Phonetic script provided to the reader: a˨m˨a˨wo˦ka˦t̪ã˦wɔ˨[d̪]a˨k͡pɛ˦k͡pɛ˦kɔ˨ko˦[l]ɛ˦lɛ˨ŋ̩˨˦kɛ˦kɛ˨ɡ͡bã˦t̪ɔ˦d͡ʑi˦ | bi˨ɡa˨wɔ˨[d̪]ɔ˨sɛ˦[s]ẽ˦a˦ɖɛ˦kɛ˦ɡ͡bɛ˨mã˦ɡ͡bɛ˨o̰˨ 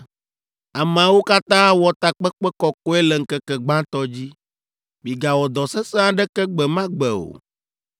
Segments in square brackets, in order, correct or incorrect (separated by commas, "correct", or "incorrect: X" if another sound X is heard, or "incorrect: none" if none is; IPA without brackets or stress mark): incorrect: t̪, incorrect: none, correct, correct